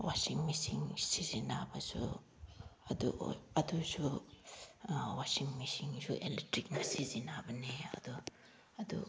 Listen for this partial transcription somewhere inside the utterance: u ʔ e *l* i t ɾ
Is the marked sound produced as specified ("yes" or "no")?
yes